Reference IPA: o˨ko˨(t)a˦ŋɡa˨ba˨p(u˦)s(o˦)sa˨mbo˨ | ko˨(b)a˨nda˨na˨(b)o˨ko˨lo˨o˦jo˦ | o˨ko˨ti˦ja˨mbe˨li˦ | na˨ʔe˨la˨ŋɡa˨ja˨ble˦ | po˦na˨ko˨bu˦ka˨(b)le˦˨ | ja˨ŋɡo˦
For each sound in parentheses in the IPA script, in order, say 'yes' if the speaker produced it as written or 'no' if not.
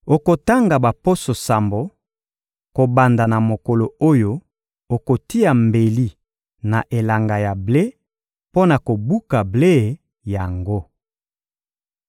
yes, no, no, yes, no, yes

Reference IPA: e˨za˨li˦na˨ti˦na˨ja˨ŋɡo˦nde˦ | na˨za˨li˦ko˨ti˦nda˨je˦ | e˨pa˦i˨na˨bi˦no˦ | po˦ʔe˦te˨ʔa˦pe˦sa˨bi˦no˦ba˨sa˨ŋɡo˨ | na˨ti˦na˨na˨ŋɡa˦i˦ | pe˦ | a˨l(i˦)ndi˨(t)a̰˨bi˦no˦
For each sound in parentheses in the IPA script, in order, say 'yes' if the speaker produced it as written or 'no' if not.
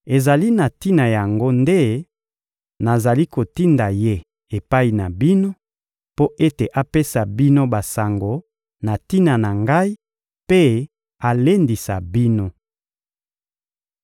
no, no

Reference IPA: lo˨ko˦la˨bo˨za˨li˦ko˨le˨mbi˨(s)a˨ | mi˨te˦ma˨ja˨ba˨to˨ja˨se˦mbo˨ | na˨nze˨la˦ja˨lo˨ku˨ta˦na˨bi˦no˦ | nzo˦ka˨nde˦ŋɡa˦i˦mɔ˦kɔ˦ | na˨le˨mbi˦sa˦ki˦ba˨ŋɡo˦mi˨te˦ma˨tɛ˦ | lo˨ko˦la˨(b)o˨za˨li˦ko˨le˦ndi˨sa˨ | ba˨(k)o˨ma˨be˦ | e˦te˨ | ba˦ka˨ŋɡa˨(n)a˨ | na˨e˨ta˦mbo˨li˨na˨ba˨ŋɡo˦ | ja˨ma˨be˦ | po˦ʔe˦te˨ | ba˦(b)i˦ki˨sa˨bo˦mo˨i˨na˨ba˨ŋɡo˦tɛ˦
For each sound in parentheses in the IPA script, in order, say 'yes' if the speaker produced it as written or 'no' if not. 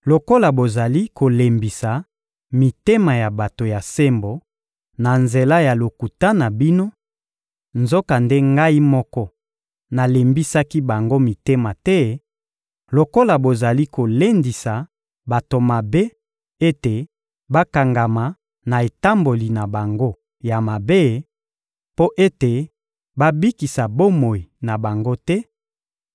yes, yes, no, no, yes

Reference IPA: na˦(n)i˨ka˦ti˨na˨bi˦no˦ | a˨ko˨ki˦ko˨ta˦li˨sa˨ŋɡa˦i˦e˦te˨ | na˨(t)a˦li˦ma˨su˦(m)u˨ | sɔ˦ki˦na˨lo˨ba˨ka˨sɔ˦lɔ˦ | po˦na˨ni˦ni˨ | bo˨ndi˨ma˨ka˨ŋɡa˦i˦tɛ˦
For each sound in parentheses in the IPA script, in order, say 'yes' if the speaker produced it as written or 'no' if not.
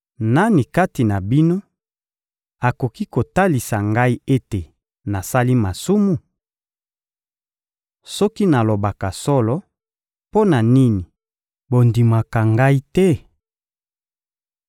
yes, no, yes

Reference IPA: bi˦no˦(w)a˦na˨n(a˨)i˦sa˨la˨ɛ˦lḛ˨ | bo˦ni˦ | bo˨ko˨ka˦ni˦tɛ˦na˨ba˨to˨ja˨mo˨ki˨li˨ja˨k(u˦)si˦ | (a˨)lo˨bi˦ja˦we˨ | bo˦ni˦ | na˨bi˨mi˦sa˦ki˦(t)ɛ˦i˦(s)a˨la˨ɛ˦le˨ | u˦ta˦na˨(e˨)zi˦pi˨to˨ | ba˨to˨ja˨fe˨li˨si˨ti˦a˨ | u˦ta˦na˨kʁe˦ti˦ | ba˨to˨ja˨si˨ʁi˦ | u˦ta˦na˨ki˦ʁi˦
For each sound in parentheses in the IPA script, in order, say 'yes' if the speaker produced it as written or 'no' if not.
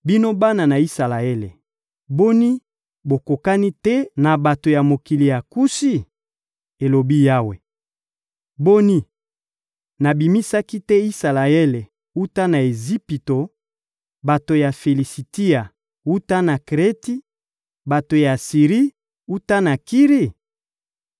no, yes, yes, no, yes, yes, yes

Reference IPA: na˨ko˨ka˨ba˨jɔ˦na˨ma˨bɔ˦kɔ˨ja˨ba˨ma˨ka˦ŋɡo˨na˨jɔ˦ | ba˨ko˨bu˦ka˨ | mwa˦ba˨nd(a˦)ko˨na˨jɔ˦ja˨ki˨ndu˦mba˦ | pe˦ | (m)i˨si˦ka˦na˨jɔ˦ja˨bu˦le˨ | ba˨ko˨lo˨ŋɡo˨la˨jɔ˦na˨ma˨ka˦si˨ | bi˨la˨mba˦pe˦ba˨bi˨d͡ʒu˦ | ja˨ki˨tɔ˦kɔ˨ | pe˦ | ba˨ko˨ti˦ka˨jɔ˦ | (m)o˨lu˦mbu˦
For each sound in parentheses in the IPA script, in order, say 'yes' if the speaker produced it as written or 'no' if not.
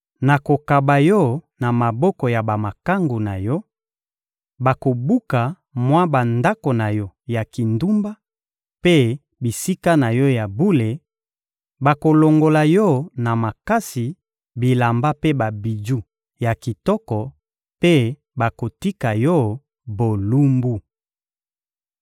yes, no, no

